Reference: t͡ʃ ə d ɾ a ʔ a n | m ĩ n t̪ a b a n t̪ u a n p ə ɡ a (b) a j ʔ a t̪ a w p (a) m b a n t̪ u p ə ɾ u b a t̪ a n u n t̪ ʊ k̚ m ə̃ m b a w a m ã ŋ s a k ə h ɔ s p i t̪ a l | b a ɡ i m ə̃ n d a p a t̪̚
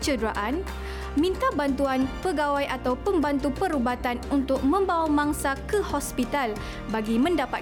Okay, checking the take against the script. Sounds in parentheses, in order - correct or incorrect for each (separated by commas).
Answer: incorrect, incorrect